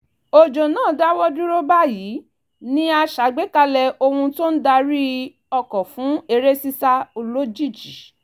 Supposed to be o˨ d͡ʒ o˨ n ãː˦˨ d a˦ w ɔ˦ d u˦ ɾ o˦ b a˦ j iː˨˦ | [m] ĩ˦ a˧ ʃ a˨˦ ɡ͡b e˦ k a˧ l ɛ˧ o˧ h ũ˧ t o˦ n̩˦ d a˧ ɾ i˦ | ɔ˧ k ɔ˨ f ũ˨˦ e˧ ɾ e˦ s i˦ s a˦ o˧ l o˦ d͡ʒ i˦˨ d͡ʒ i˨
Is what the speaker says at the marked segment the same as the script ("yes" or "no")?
no